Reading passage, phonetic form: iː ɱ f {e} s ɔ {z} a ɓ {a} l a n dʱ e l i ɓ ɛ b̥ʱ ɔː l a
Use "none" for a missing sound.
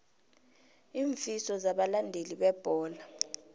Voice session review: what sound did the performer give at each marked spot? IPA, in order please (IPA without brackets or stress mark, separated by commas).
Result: i, z, a